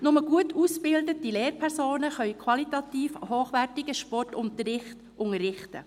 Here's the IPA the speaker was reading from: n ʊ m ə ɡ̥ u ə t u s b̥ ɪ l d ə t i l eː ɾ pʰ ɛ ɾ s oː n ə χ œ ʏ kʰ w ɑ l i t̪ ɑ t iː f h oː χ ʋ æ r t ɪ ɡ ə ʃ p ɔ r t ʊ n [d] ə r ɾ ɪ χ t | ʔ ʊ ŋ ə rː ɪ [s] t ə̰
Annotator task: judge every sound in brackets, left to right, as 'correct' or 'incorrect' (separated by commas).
incorrect, incorrect